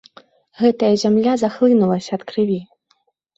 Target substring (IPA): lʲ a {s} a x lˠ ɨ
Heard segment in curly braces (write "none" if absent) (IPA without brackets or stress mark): z